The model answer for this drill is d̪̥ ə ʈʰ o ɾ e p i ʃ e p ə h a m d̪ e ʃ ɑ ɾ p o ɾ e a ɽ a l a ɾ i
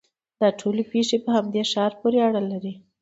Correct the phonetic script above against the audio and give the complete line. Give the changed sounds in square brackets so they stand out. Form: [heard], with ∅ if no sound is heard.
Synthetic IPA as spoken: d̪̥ [ɑ] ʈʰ o [l] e p [e] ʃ e p ə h a m d̪ e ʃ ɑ ɾ p o ɾ e a ɽ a l a ɾ i